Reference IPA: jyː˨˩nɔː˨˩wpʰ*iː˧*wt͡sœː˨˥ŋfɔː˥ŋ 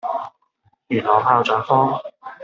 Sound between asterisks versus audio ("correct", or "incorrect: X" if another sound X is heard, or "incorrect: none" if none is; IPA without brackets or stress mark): incorrect: aː˧